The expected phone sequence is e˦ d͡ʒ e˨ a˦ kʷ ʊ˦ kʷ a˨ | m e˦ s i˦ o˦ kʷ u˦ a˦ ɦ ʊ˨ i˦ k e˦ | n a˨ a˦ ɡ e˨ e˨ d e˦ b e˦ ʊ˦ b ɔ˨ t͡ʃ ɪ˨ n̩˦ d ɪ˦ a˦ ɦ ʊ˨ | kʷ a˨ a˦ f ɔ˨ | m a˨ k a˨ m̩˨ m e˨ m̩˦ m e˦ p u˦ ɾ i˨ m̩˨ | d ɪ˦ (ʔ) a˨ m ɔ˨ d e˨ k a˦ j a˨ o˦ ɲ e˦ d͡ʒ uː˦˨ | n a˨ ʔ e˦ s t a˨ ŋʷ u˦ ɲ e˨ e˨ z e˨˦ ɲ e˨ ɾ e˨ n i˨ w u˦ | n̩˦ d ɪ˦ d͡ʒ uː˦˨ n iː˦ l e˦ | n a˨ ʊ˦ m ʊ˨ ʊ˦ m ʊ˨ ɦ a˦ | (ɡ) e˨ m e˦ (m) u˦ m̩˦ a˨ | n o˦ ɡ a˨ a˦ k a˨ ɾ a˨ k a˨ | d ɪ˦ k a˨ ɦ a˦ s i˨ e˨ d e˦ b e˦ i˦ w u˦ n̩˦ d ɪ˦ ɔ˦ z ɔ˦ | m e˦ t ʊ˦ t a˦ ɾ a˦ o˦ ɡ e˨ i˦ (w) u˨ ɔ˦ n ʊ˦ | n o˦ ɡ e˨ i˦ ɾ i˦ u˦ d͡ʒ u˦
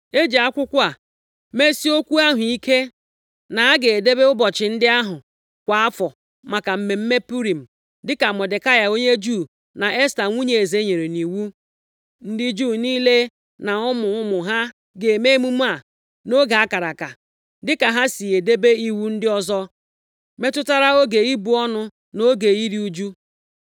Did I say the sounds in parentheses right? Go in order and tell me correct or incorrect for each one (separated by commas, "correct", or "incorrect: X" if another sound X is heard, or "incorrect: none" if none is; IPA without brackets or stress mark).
incorrect: k, correct, correct, incorrect: b